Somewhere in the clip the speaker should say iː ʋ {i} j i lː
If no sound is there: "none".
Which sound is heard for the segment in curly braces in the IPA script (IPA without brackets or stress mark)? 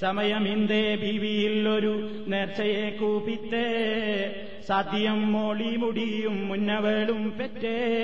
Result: i